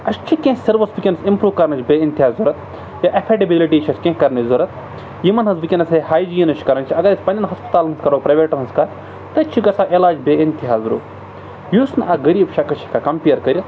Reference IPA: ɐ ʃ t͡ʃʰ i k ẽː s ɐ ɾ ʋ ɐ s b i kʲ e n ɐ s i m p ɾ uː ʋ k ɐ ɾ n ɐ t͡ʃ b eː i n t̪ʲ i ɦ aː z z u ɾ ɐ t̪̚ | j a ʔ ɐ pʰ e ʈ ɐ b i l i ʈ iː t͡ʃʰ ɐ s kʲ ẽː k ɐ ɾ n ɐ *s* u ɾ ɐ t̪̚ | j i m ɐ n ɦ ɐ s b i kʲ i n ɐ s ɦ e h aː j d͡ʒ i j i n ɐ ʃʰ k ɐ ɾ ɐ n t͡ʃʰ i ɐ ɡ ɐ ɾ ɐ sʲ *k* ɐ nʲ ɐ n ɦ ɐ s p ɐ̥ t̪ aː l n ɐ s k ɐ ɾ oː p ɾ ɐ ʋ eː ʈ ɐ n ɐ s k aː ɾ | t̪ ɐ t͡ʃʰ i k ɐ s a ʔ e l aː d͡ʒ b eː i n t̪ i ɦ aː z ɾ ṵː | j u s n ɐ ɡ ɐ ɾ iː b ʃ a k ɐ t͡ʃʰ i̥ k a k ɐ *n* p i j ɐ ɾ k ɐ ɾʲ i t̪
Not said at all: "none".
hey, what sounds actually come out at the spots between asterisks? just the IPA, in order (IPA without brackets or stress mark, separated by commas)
z, p, m